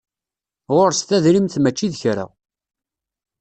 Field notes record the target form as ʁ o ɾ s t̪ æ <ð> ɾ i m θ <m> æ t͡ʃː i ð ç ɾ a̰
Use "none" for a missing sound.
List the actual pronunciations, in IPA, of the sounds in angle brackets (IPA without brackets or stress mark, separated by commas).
ð, m